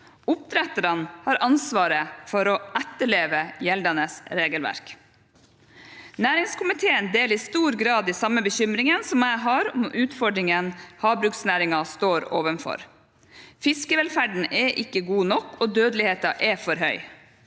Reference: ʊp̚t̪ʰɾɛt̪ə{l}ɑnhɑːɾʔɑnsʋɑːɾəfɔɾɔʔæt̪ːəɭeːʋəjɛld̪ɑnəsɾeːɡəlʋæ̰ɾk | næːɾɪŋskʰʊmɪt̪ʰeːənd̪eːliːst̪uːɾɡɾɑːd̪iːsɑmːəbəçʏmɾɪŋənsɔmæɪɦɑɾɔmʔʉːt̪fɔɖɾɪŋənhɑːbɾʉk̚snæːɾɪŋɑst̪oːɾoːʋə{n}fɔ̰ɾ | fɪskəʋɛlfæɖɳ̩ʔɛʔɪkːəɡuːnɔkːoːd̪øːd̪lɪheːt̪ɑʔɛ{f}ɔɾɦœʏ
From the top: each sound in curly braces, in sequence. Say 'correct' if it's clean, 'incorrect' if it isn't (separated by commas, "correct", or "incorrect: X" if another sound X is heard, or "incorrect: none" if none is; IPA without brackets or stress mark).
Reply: incorrect: ɾ, correct, correct